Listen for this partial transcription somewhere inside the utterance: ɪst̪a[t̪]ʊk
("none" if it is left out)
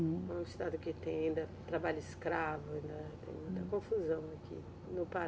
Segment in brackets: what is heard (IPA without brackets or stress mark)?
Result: d̪